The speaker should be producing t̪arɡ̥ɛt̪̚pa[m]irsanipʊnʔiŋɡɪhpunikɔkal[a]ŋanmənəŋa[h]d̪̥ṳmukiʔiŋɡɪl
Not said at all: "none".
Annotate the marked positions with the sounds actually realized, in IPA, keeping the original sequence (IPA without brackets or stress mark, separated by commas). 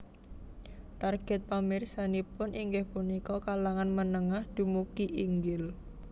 m, a, h